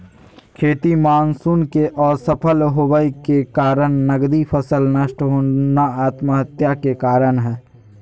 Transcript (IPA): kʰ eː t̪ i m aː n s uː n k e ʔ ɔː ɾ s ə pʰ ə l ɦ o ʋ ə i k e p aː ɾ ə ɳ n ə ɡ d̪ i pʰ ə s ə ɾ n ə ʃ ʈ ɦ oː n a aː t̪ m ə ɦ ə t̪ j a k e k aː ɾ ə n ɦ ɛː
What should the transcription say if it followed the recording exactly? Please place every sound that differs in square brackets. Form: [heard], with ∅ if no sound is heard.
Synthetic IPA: kʰ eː t̪ i m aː n s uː n k e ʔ ɔː ɾ s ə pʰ ə l ɦ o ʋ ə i k e [k] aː ɾ ə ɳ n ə ɡ d̪ i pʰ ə s ə [l] n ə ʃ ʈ ɦ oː n a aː t̪ m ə ɦ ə t̪ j a k e k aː ɾ ə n ɦ ɛː